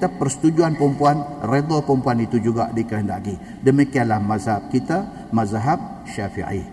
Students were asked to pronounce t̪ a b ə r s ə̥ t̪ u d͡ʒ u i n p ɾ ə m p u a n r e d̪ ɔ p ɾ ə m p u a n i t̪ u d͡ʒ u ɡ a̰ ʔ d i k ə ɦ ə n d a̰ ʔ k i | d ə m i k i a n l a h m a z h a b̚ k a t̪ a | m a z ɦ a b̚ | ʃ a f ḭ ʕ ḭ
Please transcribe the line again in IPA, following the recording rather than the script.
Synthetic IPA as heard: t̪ a p ə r s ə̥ t̪ u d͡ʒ u a n p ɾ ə m p u a n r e d̪ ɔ p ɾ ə m p u a n i t̪ u d͡ʒ u ɡ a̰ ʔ d i k ə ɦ ə n d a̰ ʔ k i | d ə m i k i a n l a h m a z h a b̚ k i t̪ a | m a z ɦ a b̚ | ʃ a f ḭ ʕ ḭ